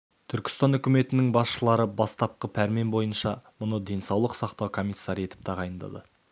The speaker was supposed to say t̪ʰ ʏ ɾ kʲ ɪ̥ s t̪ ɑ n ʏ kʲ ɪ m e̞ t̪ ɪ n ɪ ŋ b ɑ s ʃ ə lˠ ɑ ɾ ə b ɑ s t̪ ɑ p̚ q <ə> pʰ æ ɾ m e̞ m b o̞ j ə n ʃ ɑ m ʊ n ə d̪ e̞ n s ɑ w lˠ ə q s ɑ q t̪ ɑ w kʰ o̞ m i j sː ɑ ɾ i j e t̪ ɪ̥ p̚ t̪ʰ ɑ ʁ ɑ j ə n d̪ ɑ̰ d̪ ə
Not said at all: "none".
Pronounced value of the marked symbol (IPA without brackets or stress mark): ə